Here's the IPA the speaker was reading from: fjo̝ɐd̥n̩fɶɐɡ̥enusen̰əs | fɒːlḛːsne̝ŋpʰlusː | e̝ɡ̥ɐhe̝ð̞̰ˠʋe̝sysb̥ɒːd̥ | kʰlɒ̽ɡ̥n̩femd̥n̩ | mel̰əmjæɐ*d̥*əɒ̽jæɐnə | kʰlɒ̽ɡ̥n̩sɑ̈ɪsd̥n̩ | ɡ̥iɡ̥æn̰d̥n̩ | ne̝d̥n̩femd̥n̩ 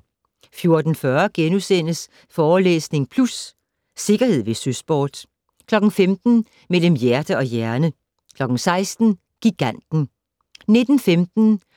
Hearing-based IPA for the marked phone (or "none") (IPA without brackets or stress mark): d̥